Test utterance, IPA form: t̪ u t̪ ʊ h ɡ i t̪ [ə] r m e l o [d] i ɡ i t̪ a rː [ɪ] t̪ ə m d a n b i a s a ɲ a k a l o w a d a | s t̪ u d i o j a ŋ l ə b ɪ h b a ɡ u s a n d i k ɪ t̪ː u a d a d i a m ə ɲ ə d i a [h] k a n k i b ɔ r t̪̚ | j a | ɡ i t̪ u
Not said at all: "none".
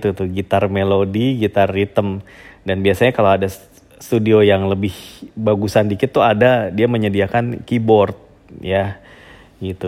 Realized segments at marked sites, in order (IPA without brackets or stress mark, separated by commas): a, d, i, none